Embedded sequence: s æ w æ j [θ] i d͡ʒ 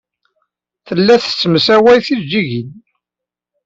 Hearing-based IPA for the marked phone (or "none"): θ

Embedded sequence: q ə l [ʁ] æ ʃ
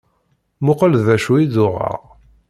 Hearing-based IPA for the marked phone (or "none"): ð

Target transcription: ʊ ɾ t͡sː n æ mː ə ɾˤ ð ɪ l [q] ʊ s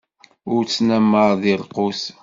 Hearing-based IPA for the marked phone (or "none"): q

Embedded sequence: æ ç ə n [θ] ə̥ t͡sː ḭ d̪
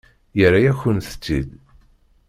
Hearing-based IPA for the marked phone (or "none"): θ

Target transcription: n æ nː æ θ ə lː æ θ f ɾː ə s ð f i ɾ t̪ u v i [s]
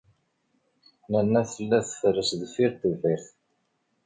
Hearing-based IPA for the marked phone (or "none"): θ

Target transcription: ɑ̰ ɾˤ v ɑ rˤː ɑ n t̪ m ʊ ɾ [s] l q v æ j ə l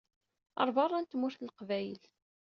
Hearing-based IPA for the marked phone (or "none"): θ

